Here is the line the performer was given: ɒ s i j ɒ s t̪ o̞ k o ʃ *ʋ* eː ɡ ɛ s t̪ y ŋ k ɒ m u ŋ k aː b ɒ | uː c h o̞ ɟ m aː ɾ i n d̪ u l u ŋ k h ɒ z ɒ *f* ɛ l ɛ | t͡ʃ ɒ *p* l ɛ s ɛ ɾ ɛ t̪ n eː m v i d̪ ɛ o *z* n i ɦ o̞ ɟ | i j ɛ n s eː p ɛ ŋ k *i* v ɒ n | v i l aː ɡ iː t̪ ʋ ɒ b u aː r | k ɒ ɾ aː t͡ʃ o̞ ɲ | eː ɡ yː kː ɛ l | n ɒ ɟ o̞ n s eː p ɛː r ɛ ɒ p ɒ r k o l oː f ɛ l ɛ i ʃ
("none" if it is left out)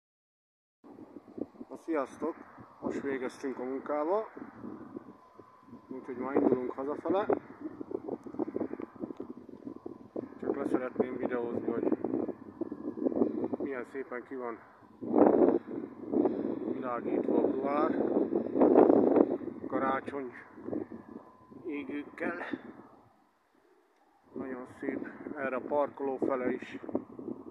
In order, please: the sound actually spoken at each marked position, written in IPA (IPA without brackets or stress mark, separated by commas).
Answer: ʋ, f, k, z, i